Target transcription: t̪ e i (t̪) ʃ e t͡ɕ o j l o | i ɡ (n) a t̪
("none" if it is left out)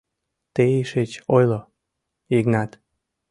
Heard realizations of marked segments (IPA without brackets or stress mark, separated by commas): none, n